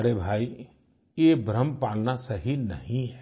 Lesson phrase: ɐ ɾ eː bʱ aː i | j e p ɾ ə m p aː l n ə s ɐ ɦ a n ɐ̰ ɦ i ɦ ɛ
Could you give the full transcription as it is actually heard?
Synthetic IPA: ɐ ɾ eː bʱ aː i | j e b ɾ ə m p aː l n a s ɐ ɦ i n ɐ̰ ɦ ĩ ɦ ɛ